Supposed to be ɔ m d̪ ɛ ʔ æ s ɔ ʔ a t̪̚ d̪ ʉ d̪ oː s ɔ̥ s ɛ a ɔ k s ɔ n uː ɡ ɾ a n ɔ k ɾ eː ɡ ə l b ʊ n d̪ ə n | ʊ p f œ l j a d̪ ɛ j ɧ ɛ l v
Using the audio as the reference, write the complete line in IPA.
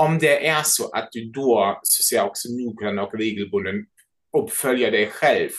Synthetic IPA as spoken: ɔ m d̪ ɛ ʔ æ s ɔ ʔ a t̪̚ d̪ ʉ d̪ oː s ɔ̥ s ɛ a ɔ k s ɔ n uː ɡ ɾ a n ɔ k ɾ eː ɡ ə l b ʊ n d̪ ə n | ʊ p f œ l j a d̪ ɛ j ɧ ɛ l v